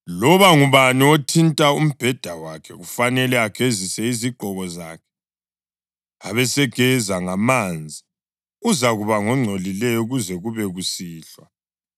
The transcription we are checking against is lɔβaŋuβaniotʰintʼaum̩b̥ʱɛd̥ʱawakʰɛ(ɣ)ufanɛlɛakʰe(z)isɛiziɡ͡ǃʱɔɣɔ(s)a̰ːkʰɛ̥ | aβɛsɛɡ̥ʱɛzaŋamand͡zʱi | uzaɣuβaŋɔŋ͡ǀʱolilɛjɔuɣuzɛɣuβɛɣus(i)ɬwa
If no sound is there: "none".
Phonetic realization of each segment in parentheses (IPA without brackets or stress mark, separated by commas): ɣ, z, z, iː